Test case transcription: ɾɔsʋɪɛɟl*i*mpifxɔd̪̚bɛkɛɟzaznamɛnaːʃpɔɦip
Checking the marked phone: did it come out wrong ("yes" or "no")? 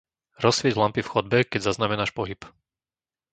yes